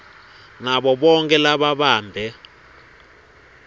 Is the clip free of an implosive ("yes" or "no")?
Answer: no